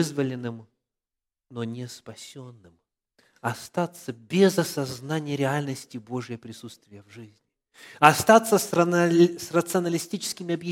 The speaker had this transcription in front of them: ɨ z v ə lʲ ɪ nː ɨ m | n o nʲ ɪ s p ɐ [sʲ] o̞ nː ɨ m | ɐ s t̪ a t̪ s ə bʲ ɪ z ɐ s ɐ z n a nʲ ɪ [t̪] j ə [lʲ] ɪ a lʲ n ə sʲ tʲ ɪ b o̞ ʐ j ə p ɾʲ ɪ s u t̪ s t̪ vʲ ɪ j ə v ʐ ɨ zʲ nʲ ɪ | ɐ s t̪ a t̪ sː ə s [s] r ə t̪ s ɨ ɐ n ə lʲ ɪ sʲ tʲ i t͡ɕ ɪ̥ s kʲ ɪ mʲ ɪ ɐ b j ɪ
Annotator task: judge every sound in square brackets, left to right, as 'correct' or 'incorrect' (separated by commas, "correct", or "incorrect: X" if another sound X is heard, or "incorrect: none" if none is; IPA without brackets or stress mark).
correct, incorrect: none, incorrect: ɾʲ, correct